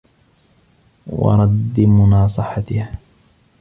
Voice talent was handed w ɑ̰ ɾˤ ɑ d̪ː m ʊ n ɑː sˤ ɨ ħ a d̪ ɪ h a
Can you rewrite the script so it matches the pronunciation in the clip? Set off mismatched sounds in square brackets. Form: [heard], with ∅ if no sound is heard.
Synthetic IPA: w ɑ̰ ɾˤ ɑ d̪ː m ʊ n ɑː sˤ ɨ ħ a [t̪] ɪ h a